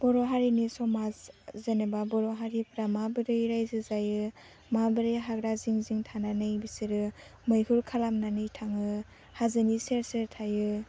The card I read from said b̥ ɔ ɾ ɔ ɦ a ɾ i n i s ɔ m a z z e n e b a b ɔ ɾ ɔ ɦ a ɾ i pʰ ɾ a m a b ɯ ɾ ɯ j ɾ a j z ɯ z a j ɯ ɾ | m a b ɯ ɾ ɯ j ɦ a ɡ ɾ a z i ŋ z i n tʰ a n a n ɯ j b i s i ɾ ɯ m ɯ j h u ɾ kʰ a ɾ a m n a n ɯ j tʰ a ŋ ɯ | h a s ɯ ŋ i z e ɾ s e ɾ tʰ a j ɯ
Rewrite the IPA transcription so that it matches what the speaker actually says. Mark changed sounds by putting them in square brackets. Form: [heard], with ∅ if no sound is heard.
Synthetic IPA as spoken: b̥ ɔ ɾ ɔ ɦ a ɾ i n i s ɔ m a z z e n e b a b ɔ ɾ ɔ ɦ a ɾ i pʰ ɾ a m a b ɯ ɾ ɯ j ɾ a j z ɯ z a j ɯ [∅] | m a b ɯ ɾ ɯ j ɦ a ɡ ɾ a z i ŋ z i [ŋ] tʰ a n a n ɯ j b i s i ɾ ɯ m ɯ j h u ɾ kʰ a [l] a m n a n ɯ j tʰ a ŋ ɯ | h a [z] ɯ [n] i [s] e ɾ s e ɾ tʰ a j ɯ